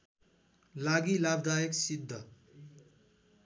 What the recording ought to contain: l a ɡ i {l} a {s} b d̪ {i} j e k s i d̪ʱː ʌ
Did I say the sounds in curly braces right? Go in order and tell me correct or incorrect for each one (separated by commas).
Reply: correct, incorrect, incorrect